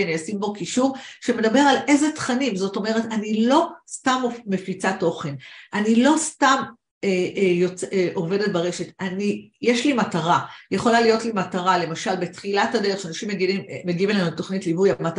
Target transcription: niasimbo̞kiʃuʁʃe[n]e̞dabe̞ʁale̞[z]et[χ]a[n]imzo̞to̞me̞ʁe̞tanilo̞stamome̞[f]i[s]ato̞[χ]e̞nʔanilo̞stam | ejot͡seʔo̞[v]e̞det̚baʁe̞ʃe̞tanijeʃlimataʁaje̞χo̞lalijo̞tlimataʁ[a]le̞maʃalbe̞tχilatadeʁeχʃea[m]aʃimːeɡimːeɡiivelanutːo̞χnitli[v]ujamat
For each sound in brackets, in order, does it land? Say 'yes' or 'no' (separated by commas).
no, yes, yes, yes, yes, no, yes, yes, yes, no, yes